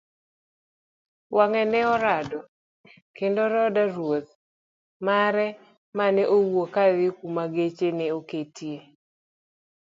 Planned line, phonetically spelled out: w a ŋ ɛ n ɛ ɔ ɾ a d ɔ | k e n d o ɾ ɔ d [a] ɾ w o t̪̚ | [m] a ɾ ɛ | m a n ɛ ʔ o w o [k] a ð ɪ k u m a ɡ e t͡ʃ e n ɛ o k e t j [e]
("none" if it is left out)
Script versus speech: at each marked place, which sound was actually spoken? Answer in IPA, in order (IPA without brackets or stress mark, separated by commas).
a, m, k, e